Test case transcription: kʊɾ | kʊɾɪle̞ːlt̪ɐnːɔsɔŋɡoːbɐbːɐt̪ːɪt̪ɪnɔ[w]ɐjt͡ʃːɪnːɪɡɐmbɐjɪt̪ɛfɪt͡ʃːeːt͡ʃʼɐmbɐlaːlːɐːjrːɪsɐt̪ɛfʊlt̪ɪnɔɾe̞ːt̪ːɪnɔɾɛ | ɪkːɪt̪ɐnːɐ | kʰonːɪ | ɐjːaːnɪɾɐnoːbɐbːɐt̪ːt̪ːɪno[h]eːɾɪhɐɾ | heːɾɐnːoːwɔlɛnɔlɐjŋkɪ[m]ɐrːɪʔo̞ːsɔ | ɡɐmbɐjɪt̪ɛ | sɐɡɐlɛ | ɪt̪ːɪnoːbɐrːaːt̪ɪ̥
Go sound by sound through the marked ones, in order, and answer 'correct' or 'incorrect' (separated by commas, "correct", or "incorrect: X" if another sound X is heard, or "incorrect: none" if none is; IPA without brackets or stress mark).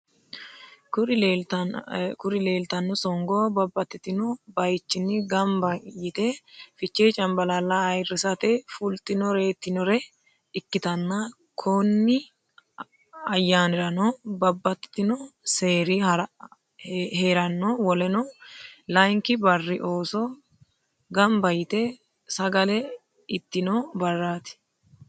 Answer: incorrect: b, incorrect: s, incorrect: b